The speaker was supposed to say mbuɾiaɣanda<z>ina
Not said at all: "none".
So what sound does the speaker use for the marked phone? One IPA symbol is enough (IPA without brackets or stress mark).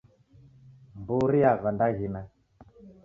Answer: ɣ